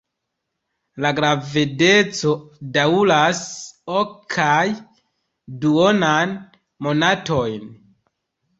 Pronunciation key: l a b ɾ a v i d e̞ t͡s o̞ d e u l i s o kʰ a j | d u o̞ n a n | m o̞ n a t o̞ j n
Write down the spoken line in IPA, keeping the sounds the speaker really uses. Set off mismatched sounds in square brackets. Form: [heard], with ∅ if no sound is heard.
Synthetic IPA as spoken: l a [ɡ] ɾ a v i d e̞ t͡s o̞ d [a] u l [a] s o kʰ a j | d u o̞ n a n | m o̞ n a t o̞ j n

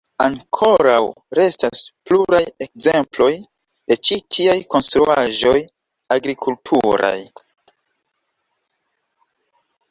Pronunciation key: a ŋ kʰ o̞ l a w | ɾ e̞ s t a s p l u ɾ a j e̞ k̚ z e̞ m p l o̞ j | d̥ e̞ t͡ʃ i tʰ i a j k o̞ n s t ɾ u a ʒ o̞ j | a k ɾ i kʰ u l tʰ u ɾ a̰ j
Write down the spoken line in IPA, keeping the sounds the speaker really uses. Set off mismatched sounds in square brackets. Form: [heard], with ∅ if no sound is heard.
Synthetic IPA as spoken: a ŋ kʰ o̞ [ɾ] a w | ɾ e̞ s t a s p l u ɾ a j e̞ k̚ z e̞ m p l o̞ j | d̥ e̞ t͡ʃ i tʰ i a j k o̞ n s t ɾ u a ʒ o̞ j | a [ɡ] ɾ i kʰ u l tʰ u ɾ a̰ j

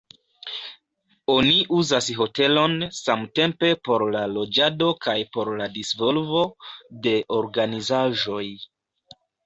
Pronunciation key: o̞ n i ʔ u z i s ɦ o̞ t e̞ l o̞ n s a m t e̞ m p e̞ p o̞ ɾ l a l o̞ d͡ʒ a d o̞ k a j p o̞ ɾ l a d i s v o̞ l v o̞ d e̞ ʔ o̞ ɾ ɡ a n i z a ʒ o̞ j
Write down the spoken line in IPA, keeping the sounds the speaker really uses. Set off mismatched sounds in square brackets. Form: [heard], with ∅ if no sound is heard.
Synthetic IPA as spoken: o̞ n i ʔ u z [a] s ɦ o̞ t e̞ l o̞ n s a m t e̞ m p e̞ p o̞ ɾ l a l o̞ d͡ʒ a d o̞ k a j p o̞ ɾ l a d i s v o̞ l v o̞ d e̞ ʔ o̞ ɾ ɡ a n i z a ʒ o̞ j

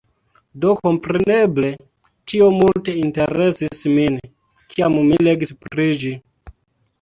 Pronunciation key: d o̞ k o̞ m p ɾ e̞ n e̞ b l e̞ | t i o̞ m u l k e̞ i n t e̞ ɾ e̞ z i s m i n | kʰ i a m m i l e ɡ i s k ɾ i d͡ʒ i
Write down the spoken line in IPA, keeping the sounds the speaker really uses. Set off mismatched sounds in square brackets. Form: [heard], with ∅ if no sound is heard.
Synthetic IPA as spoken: d o̞ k o̞ m p ɾ e̞ n e̞ b l e̞ | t i o̞ m u l [t] e̞ i n t e̞ ɾ e̞ [s] i s m i n | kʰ i a m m i l e ɡ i s [p] ɾ i d͡ʒ i

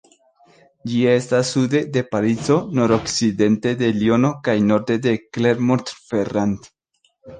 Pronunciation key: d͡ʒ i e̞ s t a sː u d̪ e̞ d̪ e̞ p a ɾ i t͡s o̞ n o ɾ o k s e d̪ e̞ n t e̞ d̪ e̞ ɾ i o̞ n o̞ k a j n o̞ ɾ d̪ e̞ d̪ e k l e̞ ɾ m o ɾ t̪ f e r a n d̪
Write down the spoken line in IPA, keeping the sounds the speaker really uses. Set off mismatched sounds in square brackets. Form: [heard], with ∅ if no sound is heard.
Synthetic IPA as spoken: d͡ʒ i e̞ s t a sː u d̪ e̞ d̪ e̞ p a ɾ i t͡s o̞ n o ɾ o k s [i] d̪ e̞ n t e̞ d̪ e̞ [l] i o̞ n o̞ k a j n o̞ ɾ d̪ e̞ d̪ e k l e̞ ɾ m o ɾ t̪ f e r a n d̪

